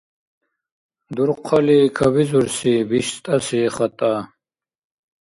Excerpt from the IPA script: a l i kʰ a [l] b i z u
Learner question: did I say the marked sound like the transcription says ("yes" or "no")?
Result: no